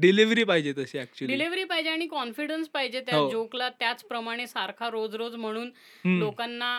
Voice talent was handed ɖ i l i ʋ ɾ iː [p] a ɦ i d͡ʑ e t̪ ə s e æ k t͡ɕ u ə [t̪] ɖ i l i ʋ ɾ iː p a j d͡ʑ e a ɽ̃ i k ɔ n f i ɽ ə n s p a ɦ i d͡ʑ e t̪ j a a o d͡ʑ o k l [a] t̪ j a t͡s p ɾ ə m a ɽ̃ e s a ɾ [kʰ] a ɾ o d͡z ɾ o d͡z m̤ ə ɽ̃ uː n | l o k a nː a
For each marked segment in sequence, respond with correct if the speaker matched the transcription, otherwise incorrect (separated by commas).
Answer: correct, incorrect, correct, correct